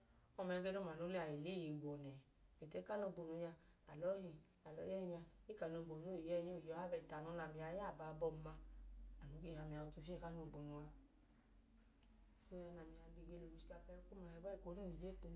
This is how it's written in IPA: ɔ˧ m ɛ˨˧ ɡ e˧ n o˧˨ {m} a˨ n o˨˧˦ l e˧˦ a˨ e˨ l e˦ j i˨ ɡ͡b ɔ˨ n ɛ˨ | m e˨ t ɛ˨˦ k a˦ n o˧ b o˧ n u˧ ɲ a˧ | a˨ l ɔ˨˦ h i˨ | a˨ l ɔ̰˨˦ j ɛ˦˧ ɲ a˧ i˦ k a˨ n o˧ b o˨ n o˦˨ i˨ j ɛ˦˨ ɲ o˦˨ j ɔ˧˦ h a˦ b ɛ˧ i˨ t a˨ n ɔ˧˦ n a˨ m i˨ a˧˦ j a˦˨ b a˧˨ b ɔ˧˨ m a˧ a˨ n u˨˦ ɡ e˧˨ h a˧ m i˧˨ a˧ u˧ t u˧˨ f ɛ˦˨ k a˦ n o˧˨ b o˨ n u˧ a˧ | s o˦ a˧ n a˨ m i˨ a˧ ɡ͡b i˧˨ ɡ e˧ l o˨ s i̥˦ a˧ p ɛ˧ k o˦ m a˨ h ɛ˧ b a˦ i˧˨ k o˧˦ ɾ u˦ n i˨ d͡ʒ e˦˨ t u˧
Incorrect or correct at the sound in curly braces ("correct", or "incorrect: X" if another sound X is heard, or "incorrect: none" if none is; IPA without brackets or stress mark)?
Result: correct